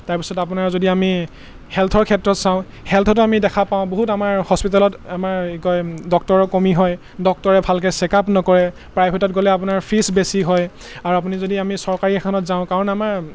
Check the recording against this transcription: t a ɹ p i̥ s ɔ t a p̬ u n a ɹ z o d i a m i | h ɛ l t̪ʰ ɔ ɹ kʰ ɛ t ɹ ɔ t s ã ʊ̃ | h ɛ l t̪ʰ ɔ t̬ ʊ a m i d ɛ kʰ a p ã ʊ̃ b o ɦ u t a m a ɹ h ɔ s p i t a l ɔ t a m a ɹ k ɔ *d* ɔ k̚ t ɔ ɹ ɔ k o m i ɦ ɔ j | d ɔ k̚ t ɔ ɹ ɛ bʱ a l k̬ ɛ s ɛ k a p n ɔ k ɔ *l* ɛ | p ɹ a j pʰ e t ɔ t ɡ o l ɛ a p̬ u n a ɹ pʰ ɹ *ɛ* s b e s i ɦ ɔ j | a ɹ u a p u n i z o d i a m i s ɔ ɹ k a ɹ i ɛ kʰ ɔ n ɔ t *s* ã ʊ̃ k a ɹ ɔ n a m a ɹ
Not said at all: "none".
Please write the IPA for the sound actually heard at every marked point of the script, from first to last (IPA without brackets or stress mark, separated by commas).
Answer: d, ɹ, i, z